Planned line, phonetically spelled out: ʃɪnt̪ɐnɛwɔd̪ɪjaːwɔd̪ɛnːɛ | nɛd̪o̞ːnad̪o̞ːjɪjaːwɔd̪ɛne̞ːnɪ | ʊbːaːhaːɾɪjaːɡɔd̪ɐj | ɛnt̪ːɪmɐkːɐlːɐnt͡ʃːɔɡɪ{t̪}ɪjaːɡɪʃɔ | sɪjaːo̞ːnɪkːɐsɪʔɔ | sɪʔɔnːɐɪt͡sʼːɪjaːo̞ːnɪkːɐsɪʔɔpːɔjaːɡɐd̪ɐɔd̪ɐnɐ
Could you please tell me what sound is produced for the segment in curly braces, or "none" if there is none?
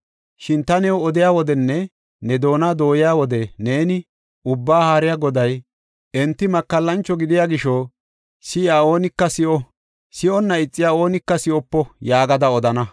d̪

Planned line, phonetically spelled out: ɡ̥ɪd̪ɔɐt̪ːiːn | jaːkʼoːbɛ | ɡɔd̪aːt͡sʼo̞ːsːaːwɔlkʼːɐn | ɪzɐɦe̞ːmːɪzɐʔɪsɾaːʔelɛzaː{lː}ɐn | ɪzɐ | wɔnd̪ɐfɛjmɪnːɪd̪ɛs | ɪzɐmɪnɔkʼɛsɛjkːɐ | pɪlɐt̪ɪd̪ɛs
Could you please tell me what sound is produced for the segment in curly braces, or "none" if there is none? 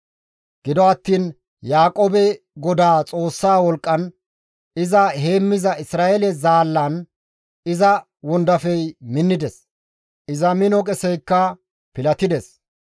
lː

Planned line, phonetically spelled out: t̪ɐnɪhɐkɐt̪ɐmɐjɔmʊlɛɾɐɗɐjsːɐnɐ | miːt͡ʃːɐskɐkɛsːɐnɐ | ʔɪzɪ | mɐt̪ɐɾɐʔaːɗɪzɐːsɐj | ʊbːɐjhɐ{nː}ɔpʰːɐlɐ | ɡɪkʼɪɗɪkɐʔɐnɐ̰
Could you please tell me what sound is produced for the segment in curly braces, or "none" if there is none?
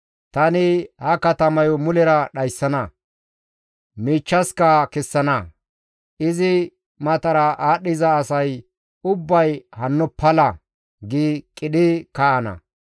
nː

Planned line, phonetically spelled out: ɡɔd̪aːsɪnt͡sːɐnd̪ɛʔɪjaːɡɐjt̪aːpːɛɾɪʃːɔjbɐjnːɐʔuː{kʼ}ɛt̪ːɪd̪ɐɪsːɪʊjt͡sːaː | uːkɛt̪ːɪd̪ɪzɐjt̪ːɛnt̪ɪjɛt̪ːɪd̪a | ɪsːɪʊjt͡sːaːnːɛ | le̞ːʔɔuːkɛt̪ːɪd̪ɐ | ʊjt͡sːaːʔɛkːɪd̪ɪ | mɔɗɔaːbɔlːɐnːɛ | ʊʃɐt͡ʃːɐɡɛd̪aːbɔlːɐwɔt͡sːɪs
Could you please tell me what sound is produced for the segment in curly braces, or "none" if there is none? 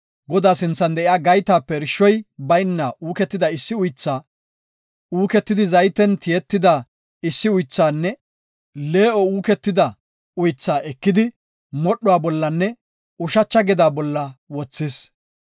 k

